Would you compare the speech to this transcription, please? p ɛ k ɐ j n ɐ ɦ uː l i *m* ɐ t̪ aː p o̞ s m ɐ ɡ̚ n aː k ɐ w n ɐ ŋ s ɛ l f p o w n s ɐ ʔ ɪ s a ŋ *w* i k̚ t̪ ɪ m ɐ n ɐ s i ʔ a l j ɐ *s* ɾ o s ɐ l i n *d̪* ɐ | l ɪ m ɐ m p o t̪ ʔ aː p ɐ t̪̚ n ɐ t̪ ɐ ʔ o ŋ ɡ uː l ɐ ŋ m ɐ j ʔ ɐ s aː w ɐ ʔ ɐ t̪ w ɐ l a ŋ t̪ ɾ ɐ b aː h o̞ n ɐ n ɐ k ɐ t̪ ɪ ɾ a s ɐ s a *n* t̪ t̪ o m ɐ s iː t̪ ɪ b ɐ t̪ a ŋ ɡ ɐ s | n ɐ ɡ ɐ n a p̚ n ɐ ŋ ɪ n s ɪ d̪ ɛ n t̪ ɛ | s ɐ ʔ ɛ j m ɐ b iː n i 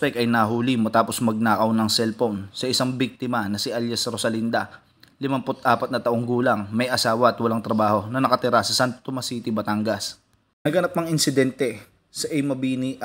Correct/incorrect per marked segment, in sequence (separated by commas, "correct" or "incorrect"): correct, incorrect, correct, correct, correct